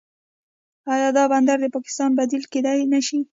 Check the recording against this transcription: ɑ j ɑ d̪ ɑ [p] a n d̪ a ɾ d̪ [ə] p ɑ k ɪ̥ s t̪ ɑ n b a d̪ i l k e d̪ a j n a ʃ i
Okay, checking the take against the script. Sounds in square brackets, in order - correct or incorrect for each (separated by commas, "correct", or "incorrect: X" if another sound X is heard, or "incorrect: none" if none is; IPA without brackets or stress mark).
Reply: incorrect: b, correct